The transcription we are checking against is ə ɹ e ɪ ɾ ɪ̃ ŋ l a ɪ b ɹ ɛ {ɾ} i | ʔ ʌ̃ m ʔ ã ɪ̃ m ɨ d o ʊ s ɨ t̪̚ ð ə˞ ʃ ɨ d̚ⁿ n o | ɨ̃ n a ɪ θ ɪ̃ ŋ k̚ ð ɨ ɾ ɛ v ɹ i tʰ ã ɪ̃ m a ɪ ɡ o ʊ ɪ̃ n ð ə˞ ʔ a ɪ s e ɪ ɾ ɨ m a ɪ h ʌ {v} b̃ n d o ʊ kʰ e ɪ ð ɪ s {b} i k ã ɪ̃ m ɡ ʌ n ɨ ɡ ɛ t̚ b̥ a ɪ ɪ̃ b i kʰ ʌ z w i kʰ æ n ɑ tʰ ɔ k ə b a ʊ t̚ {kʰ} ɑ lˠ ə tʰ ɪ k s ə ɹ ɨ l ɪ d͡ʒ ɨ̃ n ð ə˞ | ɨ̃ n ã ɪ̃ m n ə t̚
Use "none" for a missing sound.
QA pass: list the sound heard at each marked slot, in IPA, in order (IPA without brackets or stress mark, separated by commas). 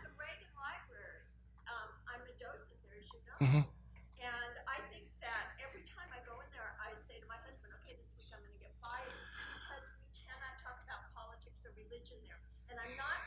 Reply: ɹ, z, w, pʰ